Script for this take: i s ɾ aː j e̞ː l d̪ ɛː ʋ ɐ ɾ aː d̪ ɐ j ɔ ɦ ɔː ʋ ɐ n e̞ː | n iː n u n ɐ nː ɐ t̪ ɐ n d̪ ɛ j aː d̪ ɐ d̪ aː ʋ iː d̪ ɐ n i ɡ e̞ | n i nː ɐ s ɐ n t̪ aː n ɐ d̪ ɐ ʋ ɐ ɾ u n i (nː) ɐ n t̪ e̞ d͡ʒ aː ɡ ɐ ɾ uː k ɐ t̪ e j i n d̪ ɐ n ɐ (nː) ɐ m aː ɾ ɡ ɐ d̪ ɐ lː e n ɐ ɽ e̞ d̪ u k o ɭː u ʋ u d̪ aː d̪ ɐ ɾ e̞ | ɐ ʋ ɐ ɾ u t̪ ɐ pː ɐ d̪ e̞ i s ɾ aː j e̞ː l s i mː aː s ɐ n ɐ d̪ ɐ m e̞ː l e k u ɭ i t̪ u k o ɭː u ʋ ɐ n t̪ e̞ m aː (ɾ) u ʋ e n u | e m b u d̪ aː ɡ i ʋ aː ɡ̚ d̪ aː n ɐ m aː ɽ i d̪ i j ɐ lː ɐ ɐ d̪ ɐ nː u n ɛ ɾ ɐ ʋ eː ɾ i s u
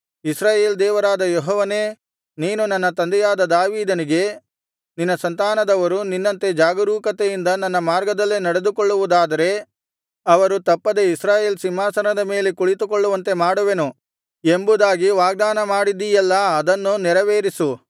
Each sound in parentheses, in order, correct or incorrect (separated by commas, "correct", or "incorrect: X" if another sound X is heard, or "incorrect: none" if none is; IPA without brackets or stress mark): correct, correct, incorrect: ɽ